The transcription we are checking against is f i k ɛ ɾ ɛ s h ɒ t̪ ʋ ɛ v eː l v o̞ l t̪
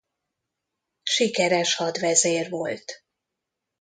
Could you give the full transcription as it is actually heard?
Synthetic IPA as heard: ʃ i k ɛ ɾ ɛ ʃ h ɒ d̪ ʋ ɛ z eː r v o̞ l t̪

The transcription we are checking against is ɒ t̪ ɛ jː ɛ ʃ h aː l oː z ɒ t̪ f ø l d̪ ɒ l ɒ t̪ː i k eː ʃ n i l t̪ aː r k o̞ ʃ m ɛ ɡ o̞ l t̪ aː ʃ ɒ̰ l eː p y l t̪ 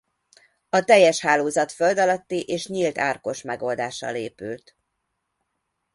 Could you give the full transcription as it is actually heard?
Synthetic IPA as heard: ɒ t̪ ɛ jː ɛ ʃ h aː l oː z ɒ t̪ f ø l d̪ ɒ l ɒ t̪ː i ʔ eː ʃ ɲ i l t̪ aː r k o̞ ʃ m ɛ ɡ o̞ l d̪ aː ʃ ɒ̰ l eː p y l t̪

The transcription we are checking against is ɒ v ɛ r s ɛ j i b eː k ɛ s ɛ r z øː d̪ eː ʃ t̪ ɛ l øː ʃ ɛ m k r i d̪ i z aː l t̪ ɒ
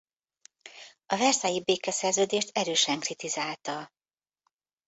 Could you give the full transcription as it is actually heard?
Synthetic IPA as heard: ɒ v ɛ r s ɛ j i b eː k ɛ s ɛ r z øː d̪ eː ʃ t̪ ɛ ɾ øː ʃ ɛ ŋ k r i t̪ i z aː l t̪ ɒ

